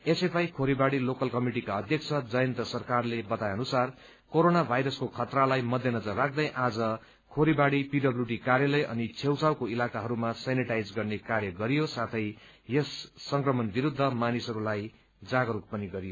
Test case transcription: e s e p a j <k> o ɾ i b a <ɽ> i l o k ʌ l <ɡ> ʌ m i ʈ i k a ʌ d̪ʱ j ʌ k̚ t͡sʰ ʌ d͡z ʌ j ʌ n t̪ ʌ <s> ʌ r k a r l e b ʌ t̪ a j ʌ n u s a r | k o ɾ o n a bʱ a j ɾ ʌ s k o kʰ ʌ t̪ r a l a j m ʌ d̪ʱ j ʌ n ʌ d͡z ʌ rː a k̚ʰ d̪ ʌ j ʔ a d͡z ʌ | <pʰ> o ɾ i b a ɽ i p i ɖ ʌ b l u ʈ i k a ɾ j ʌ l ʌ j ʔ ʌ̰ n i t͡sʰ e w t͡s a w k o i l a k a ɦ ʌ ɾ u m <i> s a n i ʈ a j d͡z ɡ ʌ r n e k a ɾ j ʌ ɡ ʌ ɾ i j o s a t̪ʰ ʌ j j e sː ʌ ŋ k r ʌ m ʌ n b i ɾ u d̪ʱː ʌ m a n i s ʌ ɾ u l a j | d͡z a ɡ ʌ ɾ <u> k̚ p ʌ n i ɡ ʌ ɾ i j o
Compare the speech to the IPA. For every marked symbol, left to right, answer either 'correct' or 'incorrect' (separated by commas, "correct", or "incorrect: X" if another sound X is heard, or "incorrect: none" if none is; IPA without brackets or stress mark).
incorrect: kʰ, correct, incorrect: k, correct, incorrect: kʰ, incorrect: a, correct